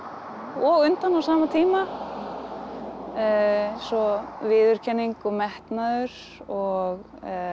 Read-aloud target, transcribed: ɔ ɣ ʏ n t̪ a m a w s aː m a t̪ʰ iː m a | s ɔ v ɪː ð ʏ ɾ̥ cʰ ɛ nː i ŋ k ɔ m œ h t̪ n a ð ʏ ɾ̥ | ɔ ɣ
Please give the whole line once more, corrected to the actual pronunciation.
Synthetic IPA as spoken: ɔ ɣ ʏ n t̪ a n a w s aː m a t̪ʰ iː m a | s ɔ v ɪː ð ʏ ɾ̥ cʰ ɛ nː i ŋ k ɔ m ɛ h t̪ n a ð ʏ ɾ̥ | ɔ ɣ